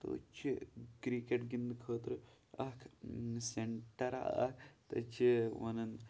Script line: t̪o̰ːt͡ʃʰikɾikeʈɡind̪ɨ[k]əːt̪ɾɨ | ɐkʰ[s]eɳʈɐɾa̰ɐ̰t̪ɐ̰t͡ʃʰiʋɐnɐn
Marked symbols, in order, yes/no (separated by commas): no, yes